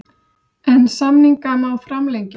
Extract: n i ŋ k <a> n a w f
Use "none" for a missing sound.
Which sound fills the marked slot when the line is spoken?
a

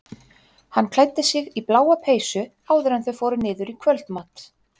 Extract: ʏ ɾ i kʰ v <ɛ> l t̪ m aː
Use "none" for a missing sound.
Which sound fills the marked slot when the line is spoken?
œ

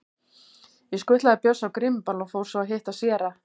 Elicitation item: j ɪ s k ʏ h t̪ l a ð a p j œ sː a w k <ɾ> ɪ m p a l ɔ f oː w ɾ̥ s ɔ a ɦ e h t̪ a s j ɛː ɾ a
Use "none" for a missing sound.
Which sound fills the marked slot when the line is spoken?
ɾ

